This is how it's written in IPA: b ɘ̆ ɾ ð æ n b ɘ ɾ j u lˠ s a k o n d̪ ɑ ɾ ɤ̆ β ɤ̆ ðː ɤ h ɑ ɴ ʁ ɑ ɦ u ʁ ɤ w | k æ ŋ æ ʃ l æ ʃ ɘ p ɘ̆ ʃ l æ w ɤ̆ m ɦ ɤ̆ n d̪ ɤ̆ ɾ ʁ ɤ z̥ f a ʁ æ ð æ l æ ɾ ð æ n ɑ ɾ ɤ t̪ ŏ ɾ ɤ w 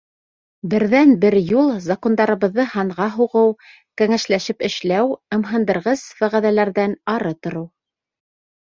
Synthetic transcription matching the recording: b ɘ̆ ɾ ð æ n b ɘ ɾ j u lˠ z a k o n d̪ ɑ ɾ ɤ̆ β ɤ̆ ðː ɤ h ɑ ɴ ʁ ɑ ɦ u ʁ ɤ w | k æ ŋ æ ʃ l æ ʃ ɘ p ɘ̆ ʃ l æ w ɤ̆ m ɦ ɤ̆ n d̪ ɤ̆ ɾ ʁ ɤ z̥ f æ ʁ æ ð æ l æ ɾ ð æ n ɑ ɾ ɤ t̪ ŏ ɾ ɤ w